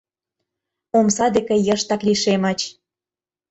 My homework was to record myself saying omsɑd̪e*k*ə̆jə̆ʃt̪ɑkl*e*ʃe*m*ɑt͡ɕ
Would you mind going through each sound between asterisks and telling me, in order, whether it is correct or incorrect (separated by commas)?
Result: correct, incorrect, correct